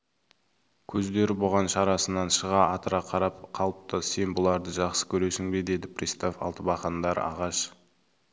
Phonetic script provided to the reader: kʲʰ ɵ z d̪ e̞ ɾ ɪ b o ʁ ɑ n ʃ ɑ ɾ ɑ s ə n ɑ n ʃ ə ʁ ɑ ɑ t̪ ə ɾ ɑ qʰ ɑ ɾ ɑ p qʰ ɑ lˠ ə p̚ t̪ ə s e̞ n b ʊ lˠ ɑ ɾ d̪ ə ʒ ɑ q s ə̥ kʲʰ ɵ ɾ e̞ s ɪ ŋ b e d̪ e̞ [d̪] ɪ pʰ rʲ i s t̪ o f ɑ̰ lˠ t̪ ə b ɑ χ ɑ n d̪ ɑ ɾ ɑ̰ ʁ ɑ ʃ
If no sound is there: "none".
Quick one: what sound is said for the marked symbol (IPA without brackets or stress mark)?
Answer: d̪